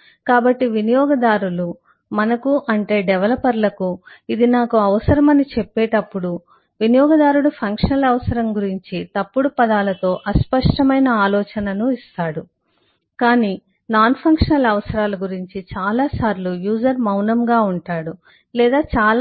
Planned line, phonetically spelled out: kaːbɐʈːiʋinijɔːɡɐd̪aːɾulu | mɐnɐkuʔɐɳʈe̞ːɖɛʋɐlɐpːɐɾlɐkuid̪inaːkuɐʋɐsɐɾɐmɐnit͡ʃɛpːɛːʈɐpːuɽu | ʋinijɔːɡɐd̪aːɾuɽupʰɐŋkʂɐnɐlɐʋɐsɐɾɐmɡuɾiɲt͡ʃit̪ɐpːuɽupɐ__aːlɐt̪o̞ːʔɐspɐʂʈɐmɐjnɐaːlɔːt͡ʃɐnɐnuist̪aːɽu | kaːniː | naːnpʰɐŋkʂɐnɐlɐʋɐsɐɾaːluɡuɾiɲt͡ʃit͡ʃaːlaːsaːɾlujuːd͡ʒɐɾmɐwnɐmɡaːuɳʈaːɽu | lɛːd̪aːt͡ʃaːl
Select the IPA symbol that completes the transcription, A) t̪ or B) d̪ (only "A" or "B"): B